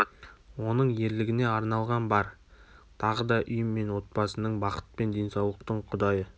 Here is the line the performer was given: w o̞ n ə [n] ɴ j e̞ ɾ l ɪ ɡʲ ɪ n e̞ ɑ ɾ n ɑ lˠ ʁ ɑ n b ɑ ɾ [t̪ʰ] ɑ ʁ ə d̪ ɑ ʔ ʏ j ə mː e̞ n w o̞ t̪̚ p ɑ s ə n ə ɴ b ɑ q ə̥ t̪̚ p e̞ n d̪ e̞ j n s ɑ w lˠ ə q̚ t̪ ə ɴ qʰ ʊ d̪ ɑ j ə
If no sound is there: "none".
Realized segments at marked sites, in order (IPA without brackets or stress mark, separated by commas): none, t̪ʰ